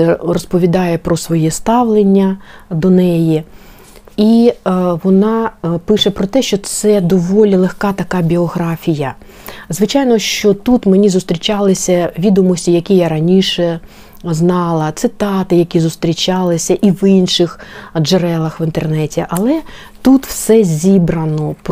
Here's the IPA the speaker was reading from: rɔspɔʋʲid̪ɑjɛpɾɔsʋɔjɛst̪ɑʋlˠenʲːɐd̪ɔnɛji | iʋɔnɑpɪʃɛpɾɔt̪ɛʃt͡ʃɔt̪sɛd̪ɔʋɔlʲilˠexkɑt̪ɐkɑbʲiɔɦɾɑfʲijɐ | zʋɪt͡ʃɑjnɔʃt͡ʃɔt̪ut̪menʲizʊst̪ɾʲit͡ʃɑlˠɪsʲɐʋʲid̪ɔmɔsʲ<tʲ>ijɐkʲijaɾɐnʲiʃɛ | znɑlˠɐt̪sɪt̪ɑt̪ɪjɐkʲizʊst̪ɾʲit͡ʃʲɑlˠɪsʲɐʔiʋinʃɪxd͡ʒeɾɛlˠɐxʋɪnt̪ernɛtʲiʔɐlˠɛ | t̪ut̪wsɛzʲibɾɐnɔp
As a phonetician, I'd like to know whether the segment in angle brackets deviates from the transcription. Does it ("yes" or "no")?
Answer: no